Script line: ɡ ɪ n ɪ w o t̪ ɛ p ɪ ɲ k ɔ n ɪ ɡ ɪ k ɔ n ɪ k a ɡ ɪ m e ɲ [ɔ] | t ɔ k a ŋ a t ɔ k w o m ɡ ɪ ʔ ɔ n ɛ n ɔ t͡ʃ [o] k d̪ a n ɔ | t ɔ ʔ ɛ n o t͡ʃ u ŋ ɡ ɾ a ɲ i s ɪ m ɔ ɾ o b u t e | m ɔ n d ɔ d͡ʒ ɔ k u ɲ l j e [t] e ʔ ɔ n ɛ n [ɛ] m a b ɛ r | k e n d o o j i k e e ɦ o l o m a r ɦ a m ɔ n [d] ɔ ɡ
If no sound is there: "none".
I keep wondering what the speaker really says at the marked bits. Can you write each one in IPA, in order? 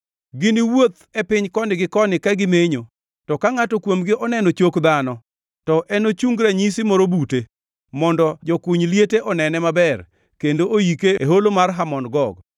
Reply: o, o, t, ɛ, ɡ

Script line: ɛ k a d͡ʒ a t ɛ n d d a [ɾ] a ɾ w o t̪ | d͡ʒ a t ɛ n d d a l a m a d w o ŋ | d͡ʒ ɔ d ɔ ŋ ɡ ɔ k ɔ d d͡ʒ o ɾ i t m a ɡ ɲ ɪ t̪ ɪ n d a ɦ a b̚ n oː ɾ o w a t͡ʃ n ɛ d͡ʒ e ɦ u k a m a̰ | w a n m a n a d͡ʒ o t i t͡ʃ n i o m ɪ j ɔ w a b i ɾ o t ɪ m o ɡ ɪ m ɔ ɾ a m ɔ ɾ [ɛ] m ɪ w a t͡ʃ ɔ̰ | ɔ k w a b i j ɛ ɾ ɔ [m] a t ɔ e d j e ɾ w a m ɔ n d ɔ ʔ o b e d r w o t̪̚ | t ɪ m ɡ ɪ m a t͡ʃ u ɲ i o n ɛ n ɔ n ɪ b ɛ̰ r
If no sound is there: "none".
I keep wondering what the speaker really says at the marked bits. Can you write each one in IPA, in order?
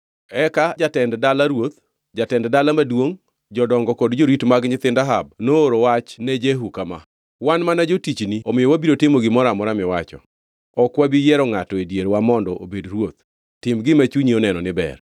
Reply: l, a, ŋ

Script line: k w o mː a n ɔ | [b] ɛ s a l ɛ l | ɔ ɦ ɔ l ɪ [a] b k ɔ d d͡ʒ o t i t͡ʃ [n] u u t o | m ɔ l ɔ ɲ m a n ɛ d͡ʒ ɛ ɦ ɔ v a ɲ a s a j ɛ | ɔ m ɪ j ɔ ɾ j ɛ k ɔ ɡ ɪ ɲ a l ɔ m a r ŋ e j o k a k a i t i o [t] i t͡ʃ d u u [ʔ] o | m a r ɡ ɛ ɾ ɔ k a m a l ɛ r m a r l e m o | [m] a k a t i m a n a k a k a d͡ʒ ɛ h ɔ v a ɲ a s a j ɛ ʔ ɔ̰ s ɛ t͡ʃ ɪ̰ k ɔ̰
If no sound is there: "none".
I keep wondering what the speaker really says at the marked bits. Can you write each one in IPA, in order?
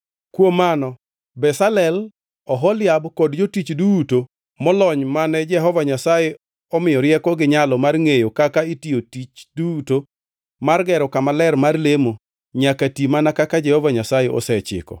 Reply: b, a, d, t, t, ɲ

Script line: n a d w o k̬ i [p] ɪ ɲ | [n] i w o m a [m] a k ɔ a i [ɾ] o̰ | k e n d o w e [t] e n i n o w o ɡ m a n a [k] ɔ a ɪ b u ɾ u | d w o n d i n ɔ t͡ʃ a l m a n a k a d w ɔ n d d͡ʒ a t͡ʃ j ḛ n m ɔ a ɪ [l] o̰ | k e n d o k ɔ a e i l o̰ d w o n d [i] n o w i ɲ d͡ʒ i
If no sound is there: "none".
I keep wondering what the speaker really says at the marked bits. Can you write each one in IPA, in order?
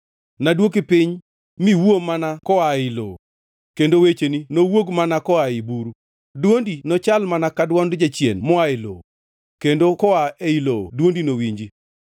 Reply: p, m, n, l, t͡ʃ, k, l, i

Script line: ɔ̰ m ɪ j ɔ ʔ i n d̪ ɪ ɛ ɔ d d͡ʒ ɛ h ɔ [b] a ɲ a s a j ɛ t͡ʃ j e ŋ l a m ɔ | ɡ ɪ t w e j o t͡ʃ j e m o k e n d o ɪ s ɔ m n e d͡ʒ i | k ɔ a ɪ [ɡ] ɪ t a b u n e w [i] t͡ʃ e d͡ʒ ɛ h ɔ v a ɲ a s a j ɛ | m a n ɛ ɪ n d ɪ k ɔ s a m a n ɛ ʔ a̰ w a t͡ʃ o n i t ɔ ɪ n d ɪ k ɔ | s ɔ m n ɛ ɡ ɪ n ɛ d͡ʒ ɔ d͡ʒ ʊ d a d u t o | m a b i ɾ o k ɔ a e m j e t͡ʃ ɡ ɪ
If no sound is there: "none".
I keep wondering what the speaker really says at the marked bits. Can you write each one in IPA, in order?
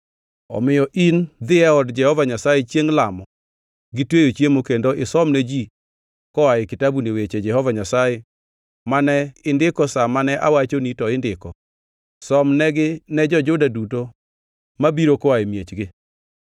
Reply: v, k, e

